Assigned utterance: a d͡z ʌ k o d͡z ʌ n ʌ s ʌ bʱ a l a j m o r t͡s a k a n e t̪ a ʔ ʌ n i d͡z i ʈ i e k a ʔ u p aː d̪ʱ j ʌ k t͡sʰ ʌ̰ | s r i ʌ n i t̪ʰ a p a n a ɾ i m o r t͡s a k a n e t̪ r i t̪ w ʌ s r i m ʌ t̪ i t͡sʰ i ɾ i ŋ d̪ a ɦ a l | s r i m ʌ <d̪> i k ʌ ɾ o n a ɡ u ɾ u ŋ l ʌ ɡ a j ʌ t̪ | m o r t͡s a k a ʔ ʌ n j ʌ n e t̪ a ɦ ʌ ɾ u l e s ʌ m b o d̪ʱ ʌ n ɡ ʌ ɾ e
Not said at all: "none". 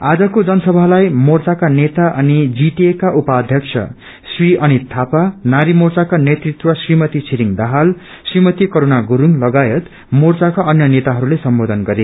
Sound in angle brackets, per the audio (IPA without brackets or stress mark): t̪